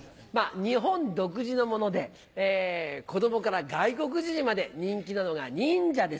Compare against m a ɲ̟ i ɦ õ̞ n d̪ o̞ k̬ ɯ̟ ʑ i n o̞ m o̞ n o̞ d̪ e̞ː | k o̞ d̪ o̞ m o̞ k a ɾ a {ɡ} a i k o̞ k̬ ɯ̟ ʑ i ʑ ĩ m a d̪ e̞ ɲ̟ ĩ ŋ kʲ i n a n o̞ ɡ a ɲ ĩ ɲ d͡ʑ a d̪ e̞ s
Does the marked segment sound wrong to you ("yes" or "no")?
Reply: no